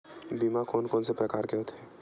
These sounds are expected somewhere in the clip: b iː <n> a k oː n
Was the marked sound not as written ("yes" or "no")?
yes